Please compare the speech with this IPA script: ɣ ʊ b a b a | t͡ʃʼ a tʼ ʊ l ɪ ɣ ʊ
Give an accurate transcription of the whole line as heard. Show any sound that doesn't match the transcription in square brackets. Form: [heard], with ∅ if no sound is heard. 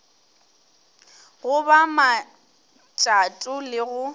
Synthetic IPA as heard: ɣ ʊ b a [m] a | t͡ʃʼ a tʼ ʊ l ɪ ɣ ʊ